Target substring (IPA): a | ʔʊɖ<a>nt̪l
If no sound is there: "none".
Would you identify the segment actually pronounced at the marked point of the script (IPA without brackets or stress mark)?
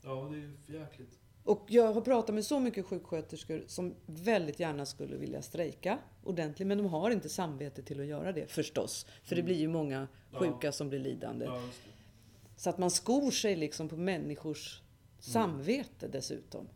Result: ɛ